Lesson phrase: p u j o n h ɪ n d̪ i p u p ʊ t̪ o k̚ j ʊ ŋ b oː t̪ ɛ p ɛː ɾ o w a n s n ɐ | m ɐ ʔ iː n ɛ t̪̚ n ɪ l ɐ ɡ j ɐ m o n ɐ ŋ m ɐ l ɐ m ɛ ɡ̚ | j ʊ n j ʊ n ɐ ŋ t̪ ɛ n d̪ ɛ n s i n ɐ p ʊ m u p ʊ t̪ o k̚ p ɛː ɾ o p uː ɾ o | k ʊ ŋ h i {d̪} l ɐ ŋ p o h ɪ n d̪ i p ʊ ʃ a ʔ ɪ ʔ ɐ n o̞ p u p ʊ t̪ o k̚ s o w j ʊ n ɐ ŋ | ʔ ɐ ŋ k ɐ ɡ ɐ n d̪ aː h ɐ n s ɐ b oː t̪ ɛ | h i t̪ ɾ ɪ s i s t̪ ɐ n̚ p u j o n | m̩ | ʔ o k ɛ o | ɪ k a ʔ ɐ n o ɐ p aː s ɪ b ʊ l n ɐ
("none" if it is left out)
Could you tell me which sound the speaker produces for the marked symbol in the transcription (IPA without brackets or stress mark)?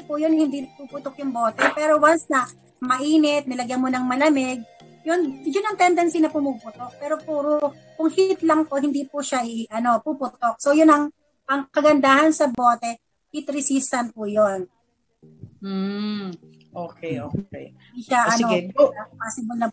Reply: t̪